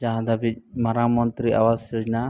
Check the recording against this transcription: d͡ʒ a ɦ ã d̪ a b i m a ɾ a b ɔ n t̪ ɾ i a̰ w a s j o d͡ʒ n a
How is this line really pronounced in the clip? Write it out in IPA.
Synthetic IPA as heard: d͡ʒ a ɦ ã d̪ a b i m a ɾ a m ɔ n t̪ ɾ i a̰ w a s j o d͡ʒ n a